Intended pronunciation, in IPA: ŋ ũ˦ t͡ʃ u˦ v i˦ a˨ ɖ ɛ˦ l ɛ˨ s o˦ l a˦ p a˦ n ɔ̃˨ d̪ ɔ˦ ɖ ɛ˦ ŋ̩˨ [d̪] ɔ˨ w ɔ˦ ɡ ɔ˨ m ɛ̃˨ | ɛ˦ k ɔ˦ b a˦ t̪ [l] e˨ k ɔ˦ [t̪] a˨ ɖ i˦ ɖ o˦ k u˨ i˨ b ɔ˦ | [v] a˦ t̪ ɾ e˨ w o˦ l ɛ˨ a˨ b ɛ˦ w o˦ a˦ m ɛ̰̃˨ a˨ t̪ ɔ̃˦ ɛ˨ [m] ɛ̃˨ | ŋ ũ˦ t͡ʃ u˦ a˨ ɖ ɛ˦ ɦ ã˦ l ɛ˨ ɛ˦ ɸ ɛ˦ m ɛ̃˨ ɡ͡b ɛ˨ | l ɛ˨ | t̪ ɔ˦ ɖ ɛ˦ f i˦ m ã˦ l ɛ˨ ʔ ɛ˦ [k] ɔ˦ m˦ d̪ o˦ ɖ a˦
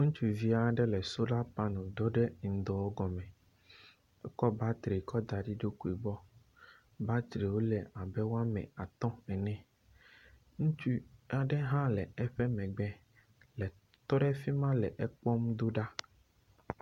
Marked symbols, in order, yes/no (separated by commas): yes, no, no, no, no, no